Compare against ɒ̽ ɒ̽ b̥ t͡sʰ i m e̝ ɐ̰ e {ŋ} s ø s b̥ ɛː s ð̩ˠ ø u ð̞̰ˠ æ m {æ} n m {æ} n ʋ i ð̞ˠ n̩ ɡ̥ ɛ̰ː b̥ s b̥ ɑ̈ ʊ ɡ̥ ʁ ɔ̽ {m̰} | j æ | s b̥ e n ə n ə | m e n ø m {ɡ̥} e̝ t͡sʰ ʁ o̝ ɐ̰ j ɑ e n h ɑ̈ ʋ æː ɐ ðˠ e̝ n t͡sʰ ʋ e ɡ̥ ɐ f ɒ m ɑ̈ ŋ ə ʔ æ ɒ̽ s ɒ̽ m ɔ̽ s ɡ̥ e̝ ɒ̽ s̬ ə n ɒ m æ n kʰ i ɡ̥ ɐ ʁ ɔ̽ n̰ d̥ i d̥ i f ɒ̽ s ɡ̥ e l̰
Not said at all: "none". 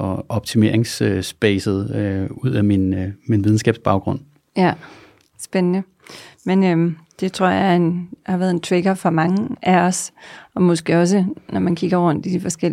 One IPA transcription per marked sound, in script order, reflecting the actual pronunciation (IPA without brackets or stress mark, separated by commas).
ŋ, i, i, n̰, d̥